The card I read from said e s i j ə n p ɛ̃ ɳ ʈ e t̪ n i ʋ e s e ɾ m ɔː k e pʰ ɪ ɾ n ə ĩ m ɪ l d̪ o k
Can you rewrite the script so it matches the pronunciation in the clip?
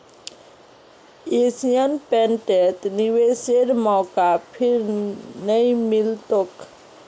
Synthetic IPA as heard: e s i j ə n p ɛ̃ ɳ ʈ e t̪ n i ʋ e s e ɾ m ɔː k a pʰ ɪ ɾ n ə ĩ m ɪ l t̪ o k